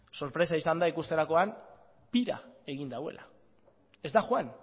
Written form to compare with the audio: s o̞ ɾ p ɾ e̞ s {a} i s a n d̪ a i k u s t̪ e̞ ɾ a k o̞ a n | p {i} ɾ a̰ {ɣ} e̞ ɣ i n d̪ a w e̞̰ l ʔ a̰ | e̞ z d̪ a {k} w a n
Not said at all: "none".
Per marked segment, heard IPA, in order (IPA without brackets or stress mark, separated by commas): a, i, none, x